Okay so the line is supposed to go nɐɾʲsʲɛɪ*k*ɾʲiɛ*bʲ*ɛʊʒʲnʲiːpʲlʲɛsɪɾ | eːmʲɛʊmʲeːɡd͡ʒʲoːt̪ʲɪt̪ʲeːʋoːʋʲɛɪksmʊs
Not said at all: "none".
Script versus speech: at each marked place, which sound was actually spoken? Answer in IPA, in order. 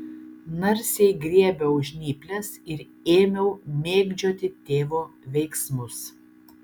ɡ, bʲ

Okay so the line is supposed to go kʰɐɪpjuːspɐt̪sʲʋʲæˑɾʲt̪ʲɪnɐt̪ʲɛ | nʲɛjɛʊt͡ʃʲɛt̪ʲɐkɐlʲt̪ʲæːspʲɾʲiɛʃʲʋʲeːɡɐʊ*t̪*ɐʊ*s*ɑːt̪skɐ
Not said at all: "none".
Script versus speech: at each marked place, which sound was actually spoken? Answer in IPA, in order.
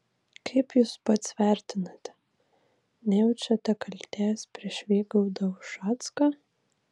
d̪, ʃ

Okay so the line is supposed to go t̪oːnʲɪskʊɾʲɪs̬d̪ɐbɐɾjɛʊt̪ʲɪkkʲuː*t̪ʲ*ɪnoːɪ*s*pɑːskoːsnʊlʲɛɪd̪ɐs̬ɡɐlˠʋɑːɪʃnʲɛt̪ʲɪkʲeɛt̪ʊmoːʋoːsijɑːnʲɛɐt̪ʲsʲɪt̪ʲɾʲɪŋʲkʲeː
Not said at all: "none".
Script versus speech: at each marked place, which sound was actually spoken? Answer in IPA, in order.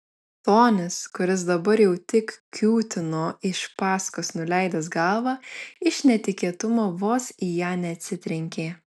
t̪ʲ, ʃ

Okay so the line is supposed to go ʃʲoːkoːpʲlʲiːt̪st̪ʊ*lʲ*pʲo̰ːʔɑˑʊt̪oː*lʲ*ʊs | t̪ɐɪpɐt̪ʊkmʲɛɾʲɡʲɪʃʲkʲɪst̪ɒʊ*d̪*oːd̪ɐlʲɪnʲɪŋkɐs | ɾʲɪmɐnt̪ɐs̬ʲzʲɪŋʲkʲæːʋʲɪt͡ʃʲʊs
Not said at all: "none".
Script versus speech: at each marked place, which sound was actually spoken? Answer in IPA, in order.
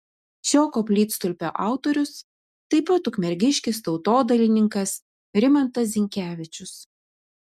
lʲ, ɾʲ, t̪

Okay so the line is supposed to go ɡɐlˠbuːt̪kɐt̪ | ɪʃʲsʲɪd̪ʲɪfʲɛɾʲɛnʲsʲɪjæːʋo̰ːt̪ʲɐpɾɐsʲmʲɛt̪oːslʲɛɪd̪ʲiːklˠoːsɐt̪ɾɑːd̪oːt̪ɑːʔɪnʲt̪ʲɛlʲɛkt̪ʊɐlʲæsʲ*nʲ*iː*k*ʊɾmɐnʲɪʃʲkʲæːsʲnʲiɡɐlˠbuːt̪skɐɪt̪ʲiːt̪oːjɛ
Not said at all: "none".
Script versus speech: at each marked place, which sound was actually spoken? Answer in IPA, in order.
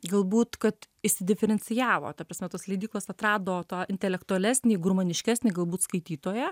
nʲ, ɡ

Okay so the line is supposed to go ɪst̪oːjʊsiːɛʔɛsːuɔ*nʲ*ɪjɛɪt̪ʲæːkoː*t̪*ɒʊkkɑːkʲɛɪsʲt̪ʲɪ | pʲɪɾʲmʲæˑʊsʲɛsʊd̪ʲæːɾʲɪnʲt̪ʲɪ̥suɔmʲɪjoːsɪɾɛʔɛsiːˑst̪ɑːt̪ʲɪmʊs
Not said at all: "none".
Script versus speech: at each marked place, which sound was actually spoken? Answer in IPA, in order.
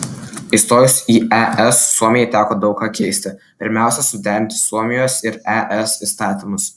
mʲ, d̪

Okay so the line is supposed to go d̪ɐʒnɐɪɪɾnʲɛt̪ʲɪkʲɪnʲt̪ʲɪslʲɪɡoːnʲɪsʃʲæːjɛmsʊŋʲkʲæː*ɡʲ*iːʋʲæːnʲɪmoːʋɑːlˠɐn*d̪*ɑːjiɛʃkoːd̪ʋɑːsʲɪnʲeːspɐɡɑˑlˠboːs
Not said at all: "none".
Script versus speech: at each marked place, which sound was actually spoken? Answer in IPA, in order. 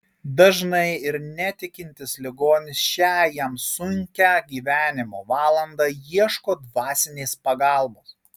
ɡʲ, d̪

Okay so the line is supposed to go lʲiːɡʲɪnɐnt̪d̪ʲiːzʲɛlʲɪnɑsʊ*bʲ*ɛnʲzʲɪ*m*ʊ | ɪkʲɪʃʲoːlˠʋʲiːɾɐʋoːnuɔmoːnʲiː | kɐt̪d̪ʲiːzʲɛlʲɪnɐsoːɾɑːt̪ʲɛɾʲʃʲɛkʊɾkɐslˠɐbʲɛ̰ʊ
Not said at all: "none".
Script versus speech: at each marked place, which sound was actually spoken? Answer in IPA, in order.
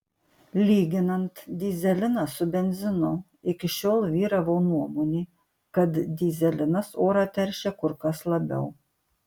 bʲ, n

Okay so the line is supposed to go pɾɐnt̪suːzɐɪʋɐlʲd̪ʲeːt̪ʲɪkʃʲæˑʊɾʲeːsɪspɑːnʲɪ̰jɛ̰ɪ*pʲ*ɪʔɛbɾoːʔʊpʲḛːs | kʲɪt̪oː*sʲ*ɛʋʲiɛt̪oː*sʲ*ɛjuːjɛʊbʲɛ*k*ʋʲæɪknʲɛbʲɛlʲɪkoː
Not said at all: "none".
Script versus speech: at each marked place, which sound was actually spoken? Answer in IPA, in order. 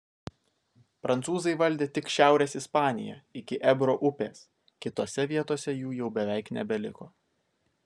kʲ, sʲ, sʲ, none

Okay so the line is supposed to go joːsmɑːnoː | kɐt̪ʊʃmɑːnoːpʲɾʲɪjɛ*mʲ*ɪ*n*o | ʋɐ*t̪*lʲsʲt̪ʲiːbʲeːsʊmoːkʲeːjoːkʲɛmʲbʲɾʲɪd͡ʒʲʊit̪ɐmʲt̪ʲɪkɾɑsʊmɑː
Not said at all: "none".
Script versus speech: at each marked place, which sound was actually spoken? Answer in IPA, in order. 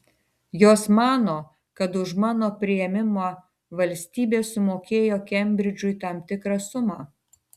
mʲ, m, none

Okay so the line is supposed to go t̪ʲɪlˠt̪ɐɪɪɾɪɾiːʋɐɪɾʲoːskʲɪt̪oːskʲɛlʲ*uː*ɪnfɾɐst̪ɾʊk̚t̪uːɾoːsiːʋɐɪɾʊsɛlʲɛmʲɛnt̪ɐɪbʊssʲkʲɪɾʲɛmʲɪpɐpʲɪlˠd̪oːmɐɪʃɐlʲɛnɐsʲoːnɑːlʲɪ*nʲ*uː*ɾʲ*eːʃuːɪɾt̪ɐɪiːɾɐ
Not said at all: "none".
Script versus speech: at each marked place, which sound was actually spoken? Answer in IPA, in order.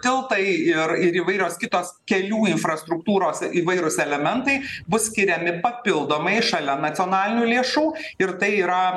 uː, nʲ, lʲ

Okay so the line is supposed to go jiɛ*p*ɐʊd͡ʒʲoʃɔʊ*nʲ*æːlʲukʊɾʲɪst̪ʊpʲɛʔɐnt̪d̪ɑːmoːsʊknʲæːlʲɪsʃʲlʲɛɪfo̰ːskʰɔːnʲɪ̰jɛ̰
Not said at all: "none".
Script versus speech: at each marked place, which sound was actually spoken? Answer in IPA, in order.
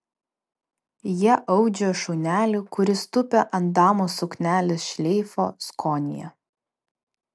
ʔ, nʲ

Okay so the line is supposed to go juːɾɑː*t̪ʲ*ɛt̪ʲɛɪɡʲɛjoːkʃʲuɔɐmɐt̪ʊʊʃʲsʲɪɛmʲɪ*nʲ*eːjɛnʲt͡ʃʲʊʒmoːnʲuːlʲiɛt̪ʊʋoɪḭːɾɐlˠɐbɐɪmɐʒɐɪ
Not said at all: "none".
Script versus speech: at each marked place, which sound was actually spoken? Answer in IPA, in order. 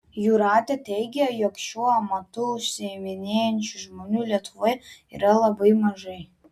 t̪ʲ, nʲ

